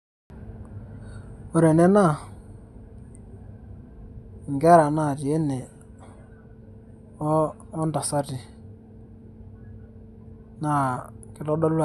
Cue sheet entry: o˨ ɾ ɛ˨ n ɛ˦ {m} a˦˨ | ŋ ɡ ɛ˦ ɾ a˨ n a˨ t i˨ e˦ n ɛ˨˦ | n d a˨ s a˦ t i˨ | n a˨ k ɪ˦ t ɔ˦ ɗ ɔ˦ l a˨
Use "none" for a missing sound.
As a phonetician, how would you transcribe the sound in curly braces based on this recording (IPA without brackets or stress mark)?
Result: n